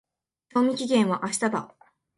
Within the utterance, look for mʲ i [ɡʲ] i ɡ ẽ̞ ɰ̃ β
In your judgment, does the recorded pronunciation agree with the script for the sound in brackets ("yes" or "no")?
no